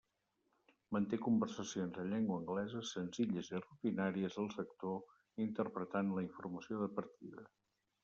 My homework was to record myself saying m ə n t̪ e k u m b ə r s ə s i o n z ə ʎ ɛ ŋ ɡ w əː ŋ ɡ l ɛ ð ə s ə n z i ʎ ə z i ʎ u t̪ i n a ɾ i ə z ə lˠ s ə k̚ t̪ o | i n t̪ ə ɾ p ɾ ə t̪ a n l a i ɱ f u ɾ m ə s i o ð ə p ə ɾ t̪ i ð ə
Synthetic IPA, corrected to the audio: m ə n t̪ e k u m b ə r s ə s i o n z ə ʎ ɛ ŋ ɡ w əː ŋ ɡ l ɛ z ə s ə n z i ʎ ə z i r u t̪ i n a ɾ i ə z ə lˠ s ə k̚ t̪ o | i n t̪ ə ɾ p ɾ ə t̪ a n l ə i ɱ f u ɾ m ə s i o ð ə p ə ɾ t̪ i ð ə